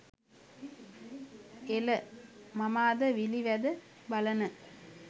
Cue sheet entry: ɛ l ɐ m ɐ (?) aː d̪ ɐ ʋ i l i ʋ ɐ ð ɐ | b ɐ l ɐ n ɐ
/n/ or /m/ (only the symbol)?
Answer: m